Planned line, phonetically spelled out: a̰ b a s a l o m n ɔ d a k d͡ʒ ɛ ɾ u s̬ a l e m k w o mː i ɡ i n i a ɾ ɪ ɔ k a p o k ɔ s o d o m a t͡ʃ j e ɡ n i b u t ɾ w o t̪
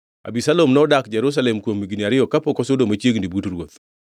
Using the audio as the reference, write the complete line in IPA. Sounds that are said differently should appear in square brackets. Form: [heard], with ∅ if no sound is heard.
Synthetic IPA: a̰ b [i] s a l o m n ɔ d a k d͡ʒ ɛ ɾ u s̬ a l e m k w o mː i ɡ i n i a ɾ ɪ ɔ k a p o k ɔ s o d o m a t͡ʃ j e ɡ n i b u t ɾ w o t̪